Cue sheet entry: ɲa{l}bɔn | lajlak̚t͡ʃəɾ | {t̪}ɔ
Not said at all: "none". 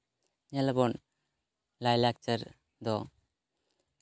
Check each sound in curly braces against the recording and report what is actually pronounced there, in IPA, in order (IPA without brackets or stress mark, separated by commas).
l, d̪